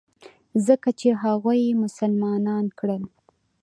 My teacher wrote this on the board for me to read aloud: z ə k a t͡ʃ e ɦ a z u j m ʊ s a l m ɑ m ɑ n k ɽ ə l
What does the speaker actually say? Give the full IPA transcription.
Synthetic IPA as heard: z ə k a t͡ʃ e ɦ a ɣ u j m ʊ s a l m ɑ n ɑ n k ɽ ə l